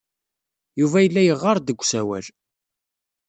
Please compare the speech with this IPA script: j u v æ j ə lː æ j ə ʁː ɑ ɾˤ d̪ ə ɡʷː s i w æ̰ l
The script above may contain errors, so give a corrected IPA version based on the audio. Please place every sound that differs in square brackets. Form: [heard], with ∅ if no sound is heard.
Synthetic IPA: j u v æ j ə lː æ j ə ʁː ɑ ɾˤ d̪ ə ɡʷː s [æ] w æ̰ l